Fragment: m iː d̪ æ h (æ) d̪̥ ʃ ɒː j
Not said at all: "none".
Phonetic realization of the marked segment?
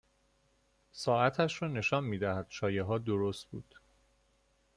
æ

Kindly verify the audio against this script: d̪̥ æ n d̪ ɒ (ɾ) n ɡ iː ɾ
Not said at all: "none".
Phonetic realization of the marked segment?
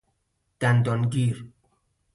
none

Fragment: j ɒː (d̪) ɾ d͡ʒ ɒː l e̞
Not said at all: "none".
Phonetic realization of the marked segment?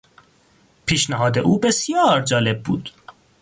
none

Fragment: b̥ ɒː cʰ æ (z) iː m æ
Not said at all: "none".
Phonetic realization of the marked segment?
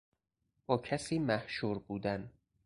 s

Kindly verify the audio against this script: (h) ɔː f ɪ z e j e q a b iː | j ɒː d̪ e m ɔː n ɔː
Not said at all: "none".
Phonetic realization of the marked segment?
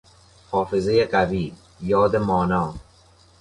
h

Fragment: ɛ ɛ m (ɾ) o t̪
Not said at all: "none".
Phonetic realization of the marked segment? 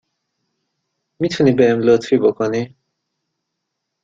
l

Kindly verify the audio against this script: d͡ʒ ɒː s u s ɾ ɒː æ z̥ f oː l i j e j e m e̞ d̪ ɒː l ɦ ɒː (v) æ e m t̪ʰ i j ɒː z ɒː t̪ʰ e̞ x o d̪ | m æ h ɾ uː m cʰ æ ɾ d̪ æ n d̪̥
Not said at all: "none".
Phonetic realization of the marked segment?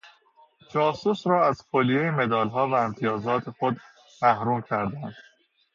v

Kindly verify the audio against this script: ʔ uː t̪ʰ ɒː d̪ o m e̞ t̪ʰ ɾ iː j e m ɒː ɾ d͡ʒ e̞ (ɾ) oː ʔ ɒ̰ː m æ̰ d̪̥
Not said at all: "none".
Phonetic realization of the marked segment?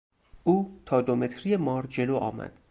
l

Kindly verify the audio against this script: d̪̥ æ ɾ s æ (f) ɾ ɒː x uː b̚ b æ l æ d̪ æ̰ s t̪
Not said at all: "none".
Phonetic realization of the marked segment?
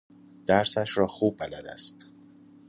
ʃ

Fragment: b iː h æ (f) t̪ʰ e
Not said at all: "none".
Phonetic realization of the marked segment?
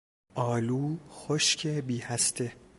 s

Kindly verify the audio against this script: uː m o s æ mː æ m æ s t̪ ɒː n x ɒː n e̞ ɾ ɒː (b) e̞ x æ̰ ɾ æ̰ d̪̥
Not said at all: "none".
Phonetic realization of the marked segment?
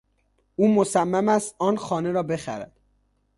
b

